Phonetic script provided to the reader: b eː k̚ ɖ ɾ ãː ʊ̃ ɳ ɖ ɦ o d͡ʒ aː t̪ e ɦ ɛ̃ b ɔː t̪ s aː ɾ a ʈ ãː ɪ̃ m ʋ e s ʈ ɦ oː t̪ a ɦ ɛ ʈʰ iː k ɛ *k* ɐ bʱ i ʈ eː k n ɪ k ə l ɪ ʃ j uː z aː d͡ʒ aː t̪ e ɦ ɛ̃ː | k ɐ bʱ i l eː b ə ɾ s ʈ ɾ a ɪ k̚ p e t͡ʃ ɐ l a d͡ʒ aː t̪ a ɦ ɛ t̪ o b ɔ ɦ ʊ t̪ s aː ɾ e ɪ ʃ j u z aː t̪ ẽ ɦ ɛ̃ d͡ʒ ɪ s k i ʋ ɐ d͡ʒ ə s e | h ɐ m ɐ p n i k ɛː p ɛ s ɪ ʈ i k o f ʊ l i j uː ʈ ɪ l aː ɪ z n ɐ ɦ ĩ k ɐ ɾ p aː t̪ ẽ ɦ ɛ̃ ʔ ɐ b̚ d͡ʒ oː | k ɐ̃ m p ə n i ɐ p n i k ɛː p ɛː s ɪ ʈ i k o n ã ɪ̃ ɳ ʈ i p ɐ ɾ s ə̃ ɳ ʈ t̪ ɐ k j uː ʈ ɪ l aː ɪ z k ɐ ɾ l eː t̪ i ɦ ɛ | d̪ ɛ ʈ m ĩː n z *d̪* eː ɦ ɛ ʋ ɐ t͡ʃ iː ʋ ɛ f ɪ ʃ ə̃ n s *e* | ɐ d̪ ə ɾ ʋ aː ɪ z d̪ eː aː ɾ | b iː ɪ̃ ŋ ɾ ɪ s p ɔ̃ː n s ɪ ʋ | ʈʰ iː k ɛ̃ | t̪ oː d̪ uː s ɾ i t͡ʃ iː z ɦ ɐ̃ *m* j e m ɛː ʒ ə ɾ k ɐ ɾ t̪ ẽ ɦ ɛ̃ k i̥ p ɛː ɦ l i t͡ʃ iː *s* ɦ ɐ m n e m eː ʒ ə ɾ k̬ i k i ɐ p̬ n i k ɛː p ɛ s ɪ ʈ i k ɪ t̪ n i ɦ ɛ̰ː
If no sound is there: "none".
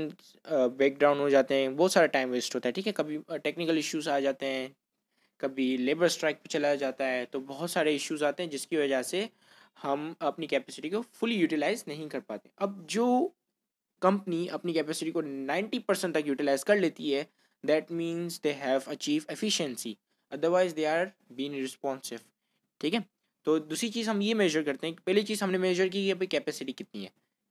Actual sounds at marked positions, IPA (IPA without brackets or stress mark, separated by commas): k, d̪, i, m, z